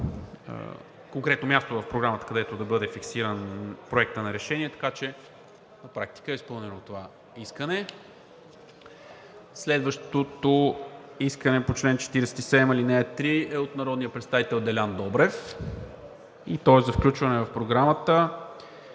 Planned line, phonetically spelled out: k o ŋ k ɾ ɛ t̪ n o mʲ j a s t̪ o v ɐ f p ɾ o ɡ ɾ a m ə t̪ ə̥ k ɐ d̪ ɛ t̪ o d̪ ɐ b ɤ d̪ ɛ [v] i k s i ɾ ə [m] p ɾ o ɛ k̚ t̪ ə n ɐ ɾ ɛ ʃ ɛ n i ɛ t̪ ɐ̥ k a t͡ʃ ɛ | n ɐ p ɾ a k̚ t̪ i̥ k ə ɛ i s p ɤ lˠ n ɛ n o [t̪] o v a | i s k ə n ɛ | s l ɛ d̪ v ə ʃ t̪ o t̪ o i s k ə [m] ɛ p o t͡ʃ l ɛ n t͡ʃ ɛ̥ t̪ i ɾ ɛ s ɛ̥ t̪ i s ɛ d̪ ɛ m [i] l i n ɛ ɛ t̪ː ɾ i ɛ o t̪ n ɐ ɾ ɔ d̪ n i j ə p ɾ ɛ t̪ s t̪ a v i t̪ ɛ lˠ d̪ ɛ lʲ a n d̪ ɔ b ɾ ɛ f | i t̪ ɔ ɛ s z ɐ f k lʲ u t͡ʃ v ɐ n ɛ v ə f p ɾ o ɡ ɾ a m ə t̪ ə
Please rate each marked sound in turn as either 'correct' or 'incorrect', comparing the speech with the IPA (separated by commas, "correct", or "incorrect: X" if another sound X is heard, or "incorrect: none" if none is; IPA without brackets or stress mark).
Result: incorrect: f, incorrect: n, correct, incorrect: n, correct